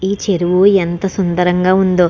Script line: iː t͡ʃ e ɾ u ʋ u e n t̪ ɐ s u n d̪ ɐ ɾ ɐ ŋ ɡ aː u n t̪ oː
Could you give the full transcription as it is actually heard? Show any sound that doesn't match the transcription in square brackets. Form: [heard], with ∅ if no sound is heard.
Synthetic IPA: iː t͡ʃ e ɾ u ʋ u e n t̪ ɐ s u n d̪ ɐ ɾ ɐ ŋ ɡ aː u n [d̪] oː

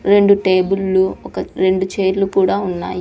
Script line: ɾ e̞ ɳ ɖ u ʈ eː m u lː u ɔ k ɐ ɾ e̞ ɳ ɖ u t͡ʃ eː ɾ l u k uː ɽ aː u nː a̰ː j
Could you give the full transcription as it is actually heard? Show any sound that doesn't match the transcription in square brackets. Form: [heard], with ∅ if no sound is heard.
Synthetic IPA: ɾ e̞ ɳ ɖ u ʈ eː [b] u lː u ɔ k ɐ ɾ e̞ ɳ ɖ u t͡ʃ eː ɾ l u k uː ɽ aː u nː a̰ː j

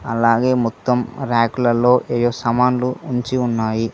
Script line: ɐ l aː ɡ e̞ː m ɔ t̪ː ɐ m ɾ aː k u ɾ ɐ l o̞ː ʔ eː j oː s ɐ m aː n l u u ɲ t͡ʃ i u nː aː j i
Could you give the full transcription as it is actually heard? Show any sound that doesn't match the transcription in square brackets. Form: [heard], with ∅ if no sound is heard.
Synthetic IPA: ɐ l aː ɡ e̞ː m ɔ t̪ː ɐ m ɾ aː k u [l] ɐ l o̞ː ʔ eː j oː s ɐ m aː n l u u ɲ t͡ʃ i u nː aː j i

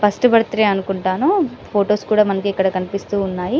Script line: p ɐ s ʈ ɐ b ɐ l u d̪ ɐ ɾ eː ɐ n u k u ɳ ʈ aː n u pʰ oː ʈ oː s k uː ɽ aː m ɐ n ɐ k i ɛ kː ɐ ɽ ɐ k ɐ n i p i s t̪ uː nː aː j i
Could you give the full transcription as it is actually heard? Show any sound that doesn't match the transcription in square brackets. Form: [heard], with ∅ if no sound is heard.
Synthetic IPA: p ɐ s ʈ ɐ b ɐ [ɽ] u [t̪] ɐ ɾ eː ɐ n u k u ɳ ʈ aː n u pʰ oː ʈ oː s k uː ɽ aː m ɐ n ɐ k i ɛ kː ɐ ɽ ɐ k ɐ n i p i s t̪ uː nː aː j i

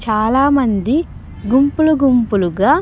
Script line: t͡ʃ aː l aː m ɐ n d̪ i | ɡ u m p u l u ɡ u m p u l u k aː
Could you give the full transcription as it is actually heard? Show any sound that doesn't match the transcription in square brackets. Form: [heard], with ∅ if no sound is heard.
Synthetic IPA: t͡ʃ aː l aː m ɐ n d̪ i | ɡ u m p u l u ɡ u m p u l u [ɡ] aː

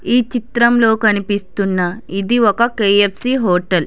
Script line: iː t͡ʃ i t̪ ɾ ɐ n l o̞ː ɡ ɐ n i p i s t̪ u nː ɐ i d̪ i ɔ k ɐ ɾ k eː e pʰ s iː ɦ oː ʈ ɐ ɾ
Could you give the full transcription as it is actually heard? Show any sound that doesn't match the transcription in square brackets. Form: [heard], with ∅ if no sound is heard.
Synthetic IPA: iː t͡ʃ i t̪ ɾ ɐ [m] l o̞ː [k] ɐ n i p i s t̪ u nː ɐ i d̪ i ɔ k ɐ [∅] k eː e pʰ s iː ɦ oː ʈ ɐ [l]

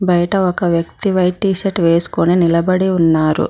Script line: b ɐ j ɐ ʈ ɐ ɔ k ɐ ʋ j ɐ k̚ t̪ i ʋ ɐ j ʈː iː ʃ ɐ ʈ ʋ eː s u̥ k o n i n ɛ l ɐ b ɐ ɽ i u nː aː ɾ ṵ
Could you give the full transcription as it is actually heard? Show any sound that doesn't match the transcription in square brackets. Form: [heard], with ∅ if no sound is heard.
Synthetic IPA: b ɐ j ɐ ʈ ɐ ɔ k ɐ ʋ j ɐ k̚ t̪ i ʋ ɐ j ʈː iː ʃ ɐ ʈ ʋ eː s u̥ k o n i n [i] l ɐ b ɐ ɽ i u nː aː ɾ ṵ

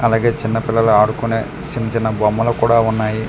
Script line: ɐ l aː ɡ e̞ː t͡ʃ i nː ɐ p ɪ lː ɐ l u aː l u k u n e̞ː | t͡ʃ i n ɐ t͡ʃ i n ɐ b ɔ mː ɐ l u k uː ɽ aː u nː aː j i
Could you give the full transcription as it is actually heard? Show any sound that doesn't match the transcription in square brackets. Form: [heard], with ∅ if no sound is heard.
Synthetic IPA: ɐ l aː ɡ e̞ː t͡ʃ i nː ɐ p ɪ lː ɐ l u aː [ɽ] u k u n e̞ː | t͡ʃ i [nː] ɐ t͡ʃ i [nː] ɐ b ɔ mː ɐ l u k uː ɽ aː u nː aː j i

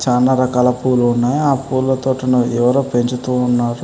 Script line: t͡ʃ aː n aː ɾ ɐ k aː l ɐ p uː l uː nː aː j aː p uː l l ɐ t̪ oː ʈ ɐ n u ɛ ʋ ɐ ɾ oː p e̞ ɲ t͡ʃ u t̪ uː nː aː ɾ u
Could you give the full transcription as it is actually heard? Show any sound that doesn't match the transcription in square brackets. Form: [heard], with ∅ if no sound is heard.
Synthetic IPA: t͡ʃ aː n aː ɾ ɐ k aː l ɐ p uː l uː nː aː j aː p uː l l ɐ t̪ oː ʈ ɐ n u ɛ ʋ ɐ ɾ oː p e̞ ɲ t͡ʃ u t̪ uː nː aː ɾ u

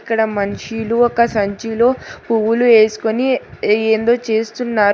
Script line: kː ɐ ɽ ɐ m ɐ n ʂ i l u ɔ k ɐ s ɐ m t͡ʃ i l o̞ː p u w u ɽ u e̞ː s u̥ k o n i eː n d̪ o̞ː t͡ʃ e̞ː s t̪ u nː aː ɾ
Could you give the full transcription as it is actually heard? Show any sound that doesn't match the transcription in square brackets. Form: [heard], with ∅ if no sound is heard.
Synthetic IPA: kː ɐ ɽ ɐ m ɐ n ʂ i l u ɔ k ɐ s ɐ [ɲ] t͡ʃ i l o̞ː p u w u [l] u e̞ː s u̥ k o n i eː n d̪ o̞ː t͡ʃ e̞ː s t̪ u nː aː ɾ

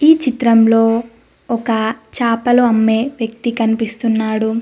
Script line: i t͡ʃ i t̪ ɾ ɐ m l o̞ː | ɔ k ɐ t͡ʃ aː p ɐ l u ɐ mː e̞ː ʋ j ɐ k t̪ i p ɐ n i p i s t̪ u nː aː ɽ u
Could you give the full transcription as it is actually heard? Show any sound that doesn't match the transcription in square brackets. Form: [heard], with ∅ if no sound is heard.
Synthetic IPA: [iː] t͡ʃ i t̪ ɾ ɐ m l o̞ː | ɔ k ɐ t͡ʃ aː p ɐ l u ɐ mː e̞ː ʋ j ɐ k t̪ i [k] ɐ n i p i s t̪ u nː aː ɽ u

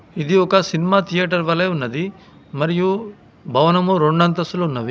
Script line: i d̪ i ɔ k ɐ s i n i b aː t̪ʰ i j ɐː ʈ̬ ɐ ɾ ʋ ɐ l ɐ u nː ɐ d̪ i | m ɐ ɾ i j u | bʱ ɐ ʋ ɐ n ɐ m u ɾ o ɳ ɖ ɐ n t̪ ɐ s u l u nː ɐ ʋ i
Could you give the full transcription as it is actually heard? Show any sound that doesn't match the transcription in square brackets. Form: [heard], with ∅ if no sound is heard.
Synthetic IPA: i d̪ i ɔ k ɐ s i n i [m] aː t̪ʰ i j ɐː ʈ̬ ɐ ɾ ʋ ɐ l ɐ u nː ɐ d̪ i | m ɐ ɾ i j u | bʱ ɐ ʋ ɐ n ɐ m u ɾ o ɳ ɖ ɐ n t̪ ɐ s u l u nː ɐ ʋ i

